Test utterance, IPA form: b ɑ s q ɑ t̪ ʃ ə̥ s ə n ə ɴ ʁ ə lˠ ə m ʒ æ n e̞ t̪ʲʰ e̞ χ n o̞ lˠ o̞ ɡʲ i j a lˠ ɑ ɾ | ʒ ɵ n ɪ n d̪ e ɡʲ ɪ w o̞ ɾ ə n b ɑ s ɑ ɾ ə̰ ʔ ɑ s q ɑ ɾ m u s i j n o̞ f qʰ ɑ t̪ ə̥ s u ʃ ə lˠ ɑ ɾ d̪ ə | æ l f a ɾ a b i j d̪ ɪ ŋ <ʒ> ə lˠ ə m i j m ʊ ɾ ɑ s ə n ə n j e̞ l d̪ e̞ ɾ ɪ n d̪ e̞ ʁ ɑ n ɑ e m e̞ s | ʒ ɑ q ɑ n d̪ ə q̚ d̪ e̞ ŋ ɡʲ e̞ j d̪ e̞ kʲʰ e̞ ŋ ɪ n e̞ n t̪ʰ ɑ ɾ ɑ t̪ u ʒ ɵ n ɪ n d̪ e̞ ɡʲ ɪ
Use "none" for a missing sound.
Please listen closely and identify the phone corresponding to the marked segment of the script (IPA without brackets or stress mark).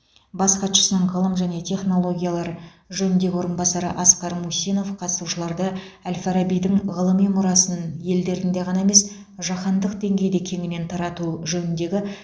ʁ